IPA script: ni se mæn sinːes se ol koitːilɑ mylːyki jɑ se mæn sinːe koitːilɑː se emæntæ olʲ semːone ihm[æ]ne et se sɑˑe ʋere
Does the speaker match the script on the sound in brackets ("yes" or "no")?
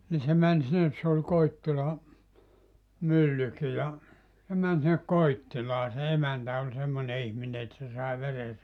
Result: no